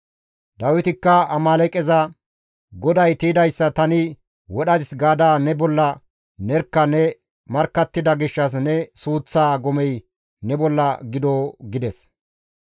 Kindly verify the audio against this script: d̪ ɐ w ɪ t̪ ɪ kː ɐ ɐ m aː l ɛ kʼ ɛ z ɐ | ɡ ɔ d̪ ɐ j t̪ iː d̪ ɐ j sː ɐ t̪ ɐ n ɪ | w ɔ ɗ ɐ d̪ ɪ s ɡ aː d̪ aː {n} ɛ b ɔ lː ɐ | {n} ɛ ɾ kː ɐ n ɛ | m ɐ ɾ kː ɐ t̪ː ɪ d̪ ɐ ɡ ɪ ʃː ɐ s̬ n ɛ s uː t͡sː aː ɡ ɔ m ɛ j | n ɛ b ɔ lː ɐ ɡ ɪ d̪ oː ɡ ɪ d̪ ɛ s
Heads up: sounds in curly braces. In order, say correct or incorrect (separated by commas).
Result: correct, correct